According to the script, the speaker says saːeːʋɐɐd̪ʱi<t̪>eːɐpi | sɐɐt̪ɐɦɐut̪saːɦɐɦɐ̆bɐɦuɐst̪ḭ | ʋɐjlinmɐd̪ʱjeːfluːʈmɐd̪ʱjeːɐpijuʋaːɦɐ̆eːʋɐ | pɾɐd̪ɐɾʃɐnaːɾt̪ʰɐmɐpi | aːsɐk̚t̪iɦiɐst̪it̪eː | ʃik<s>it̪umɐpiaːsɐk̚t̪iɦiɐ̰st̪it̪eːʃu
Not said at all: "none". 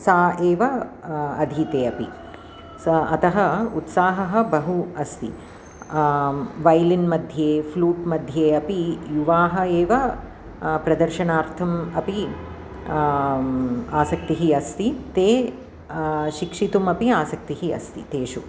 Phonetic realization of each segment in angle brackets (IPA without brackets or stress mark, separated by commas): t̪, ʂ